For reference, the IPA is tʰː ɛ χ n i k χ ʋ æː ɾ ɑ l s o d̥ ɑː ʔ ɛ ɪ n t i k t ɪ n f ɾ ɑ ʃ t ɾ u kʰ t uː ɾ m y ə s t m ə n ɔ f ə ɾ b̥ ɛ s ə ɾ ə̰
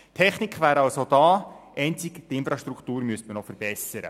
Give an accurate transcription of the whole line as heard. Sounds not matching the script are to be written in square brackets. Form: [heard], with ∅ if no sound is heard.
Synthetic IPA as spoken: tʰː ɛ χ n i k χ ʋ æː ɾ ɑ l s o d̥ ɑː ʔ ɛ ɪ n [t͡s] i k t ɪ n f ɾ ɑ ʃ t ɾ u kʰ t uː ɾ m y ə s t m ə n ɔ f ə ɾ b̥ ɛ s ə ɾ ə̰